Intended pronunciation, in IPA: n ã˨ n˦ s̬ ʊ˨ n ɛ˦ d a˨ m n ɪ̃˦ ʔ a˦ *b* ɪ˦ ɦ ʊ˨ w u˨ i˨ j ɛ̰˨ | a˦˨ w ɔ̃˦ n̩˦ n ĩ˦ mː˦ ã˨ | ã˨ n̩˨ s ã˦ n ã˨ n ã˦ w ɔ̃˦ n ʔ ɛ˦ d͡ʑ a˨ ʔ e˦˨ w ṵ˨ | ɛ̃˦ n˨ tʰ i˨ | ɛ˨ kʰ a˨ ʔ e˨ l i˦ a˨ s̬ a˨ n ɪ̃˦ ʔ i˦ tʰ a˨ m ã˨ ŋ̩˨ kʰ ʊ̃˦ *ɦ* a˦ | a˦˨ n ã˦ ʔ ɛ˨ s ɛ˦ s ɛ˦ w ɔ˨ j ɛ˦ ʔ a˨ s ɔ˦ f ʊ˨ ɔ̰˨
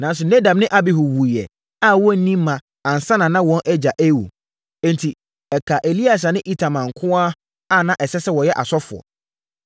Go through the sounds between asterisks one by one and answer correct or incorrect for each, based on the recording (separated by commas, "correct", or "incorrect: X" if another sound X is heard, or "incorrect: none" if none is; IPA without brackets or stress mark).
correct, incorrect: none